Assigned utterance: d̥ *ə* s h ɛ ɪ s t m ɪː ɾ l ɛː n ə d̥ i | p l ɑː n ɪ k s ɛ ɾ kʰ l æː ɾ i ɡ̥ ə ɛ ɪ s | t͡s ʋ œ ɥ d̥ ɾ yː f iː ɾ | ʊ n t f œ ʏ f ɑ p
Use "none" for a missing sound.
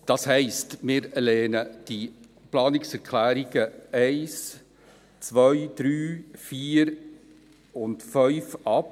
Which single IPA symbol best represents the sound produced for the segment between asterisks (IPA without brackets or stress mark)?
ɑ